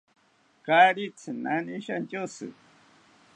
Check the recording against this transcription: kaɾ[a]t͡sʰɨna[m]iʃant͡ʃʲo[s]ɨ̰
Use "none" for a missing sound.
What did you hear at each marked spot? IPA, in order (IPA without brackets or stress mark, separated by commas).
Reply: i, n, s